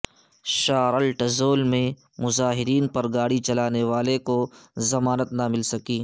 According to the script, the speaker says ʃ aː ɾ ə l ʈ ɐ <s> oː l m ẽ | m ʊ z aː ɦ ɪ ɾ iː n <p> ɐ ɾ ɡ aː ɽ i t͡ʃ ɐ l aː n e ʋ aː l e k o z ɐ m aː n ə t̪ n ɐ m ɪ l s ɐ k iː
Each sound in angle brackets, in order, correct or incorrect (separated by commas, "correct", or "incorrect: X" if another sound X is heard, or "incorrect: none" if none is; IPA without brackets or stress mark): incorrect: z, correct